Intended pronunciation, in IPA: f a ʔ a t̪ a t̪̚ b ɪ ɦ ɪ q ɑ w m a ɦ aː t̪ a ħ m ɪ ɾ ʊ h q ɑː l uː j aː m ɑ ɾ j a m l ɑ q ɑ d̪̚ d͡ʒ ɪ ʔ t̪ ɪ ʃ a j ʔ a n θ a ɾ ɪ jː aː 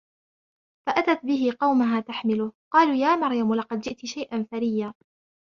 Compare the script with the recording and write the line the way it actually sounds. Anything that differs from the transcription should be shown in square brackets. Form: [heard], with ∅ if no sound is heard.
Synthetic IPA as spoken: f a ʔ a t̪ a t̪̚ b ɪ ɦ ɪ q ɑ w m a ɦ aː t̪ a ħ m ɪ [l] ʊ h q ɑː l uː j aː m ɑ ɾ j a m l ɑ q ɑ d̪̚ d͡ʒ ɪ ʔ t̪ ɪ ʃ a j ʔ a n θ a ɾ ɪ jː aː